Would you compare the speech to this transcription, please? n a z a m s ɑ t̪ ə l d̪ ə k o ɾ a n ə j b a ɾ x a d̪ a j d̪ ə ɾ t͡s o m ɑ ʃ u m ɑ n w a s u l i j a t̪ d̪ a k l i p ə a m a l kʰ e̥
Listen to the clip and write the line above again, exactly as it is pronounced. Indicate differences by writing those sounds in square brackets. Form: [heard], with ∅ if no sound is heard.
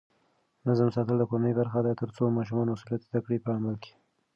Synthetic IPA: n a z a m s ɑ t̪ ə l d̪ ə k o ɾ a n ə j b a ɾ x a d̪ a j [t̪] ə ɾ t͡s o m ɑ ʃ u m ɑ n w a s u l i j a t̪ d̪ a k [ɽ] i p ə a m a l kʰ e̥